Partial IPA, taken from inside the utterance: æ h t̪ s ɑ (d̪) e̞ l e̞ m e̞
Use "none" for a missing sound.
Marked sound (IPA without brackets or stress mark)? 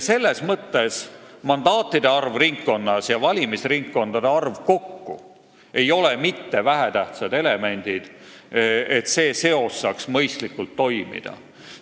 d̪